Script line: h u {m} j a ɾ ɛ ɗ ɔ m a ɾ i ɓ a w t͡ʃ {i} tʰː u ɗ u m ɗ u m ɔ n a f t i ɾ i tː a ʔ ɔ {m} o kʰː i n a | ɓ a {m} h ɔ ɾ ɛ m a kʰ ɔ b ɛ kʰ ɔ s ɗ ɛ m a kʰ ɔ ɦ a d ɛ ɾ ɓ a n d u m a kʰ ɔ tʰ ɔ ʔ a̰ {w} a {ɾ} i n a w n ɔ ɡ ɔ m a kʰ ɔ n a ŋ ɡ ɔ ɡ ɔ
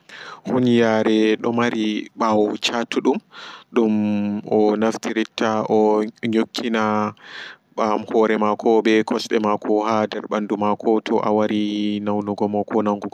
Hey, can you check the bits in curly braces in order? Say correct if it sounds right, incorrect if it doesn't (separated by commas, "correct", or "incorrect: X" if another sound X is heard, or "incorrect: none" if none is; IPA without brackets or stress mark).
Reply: incorrect: n, incorrect: a, incorrect: ɲ, correct, correct, correct